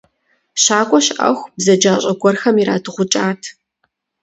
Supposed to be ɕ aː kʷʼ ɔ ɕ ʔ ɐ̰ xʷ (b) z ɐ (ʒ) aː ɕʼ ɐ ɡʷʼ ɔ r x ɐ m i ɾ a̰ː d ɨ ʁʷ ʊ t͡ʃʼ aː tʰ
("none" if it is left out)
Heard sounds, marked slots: b, d͡ʒ

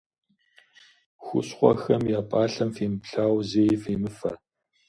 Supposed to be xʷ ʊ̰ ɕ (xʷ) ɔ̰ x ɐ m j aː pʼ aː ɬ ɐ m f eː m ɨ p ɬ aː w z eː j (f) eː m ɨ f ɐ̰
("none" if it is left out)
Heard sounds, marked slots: χʷ, f

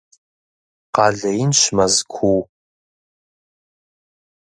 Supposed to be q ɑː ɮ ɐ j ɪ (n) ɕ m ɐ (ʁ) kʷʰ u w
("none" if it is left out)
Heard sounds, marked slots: n, z

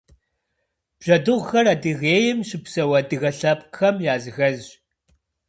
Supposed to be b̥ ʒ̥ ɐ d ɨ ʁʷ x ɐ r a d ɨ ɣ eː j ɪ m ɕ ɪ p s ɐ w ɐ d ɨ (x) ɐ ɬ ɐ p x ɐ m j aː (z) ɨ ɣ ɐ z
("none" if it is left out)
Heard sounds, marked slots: ɣ, z

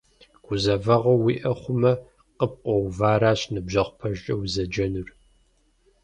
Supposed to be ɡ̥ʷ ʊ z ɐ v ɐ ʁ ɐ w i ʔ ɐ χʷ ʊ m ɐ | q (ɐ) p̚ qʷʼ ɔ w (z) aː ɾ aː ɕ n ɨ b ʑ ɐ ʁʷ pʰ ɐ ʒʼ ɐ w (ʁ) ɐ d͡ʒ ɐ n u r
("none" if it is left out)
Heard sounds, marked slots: ə, v, z

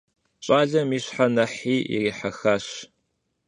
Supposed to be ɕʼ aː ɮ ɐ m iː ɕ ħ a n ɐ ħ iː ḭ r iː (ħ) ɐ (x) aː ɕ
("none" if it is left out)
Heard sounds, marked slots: ħ, x

